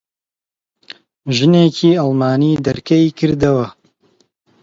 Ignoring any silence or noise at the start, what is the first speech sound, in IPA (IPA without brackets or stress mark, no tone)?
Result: ʒ